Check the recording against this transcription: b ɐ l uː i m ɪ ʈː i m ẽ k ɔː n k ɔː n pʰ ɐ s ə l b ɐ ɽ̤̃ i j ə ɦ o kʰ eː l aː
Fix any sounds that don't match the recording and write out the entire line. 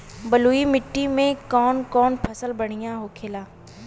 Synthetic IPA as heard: b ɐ l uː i m ɪ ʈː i m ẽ k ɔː n k ɔː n pʰ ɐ s ə l b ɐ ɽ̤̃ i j a ɦ o kʰ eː l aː